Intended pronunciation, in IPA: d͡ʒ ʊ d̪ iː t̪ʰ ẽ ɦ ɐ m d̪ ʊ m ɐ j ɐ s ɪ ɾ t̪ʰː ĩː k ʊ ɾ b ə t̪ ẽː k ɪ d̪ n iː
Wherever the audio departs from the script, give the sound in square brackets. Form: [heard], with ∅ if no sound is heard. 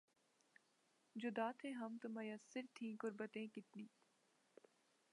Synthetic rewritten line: d͡ʒ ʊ d̪ [aː] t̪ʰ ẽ ɦ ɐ m [t̪] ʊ m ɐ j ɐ s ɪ ɾ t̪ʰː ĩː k ʊ ɾ b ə t̪ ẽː k ɪ [t̪] n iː